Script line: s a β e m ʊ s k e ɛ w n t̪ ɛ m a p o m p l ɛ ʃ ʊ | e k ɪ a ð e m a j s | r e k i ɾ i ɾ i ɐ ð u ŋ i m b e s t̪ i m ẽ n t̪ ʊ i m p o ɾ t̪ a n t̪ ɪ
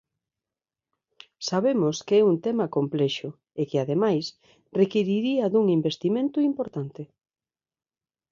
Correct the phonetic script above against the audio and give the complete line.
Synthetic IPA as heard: s a β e m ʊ s k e ɛ u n t̪ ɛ m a k o m p l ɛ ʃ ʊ | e k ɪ a ð e m a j s | r e k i ɾ i ɾ i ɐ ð u ŋ i m b e s t̪ i m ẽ n t̪ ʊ i m p o ɾ t̪ a n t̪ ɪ